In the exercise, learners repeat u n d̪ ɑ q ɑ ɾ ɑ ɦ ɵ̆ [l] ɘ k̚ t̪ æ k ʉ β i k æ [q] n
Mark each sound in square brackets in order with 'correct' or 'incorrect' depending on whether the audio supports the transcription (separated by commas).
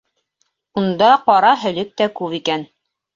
correct, incorrect